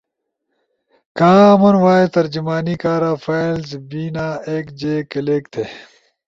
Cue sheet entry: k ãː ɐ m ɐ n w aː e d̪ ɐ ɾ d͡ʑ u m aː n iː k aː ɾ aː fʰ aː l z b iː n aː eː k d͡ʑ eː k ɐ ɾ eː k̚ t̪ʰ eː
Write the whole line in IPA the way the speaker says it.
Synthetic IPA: k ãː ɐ m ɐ n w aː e t̪ ɐ ɾ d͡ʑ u m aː n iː k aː ɾ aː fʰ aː l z b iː n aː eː k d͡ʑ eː k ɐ l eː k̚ t̪ʰ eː